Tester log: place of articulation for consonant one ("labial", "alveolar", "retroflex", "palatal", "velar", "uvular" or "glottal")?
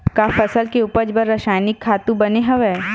velar